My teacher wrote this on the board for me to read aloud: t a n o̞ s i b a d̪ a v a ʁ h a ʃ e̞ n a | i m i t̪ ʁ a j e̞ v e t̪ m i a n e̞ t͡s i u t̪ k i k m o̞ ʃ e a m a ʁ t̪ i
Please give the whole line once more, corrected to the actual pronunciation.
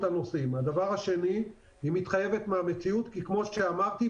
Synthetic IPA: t a n o̞ s i m a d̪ a v a ʁ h a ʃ e̞ n i | i m i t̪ χ a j e̞ v e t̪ m e a m e̞ t͡s i u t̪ k i k m o̞ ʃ e a m a ʁ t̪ i